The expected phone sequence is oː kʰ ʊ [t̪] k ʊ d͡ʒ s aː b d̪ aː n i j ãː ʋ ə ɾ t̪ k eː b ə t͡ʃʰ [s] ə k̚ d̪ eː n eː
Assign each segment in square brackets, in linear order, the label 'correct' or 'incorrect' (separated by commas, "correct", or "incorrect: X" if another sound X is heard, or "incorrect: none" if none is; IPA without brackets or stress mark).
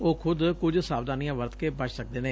incorrect: d̪, correct